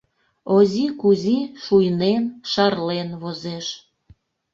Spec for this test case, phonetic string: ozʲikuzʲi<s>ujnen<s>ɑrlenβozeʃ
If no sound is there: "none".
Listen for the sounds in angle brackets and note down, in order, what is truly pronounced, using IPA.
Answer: ʃ, ʃ

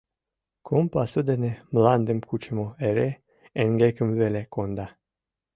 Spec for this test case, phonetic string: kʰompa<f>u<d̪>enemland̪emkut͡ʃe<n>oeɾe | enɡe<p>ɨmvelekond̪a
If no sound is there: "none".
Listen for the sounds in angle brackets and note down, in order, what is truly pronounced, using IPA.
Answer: s, d̪, m, k

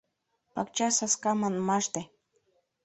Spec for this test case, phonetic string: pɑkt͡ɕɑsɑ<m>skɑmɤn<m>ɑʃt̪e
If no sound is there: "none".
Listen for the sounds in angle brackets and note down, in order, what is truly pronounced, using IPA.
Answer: none, m

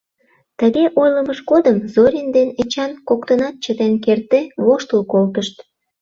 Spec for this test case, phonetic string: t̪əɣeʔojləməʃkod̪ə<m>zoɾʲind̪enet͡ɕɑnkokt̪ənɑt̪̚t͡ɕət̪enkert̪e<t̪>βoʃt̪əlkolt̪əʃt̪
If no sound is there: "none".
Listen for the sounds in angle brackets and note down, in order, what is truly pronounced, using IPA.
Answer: m, none

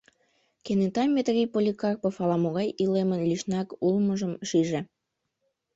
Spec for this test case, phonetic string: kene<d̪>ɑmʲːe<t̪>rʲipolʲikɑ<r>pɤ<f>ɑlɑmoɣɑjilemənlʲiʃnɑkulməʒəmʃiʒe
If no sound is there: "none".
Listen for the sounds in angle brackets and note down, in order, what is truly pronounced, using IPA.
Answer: t̪, t̪, r, f

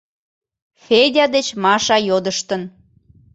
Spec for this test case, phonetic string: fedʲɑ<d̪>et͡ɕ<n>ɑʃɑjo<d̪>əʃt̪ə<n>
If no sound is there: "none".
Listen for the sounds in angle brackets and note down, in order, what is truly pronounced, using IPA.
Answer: d̪, m, d̪, n

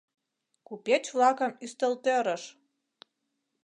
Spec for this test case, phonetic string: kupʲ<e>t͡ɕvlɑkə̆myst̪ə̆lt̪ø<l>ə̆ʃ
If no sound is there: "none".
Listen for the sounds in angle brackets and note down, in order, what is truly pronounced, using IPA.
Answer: e, ɾ

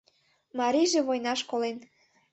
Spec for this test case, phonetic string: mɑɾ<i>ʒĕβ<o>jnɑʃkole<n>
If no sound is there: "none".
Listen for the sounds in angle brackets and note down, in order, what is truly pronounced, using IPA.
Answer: i, o, n

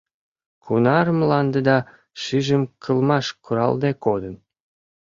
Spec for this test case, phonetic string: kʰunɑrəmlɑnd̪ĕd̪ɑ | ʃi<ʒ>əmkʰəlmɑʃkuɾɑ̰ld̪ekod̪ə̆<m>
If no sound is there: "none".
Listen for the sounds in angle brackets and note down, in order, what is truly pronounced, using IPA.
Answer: ʒ, n

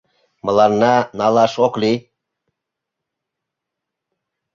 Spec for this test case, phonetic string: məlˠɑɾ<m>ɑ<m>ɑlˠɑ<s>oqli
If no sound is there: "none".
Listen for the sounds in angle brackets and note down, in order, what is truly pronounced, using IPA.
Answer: n, n, ʃ

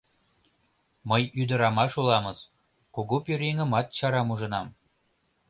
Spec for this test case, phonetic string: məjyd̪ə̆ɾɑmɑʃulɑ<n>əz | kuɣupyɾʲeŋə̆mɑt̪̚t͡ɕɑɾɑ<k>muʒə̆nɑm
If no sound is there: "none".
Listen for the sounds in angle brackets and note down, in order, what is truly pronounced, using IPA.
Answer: m, none

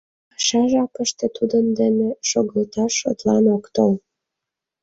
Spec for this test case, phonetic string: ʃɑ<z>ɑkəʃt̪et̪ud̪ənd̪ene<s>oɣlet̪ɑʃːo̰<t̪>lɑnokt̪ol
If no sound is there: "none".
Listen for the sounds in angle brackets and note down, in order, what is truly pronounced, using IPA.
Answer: ʒ, ʃ, t̪

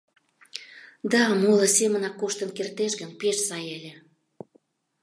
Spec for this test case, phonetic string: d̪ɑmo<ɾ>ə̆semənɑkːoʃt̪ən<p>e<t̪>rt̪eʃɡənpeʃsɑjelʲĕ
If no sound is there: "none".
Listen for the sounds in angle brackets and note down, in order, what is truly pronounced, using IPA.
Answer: l, k, none

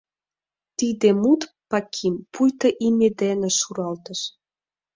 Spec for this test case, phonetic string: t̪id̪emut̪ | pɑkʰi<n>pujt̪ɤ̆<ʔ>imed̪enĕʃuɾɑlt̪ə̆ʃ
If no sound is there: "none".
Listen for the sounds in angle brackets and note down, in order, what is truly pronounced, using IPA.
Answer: m, ʔ

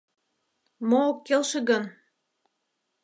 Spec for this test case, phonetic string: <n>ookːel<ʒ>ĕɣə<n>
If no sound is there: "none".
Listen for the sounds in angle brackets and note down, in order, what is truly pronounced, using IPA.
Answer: m, ʃ, n

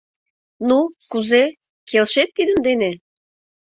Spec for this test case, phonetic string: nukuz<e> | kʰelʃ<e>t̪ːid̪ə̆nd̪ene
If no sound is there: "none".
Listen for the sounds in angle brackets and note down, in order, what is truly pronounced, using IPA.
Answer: e, e

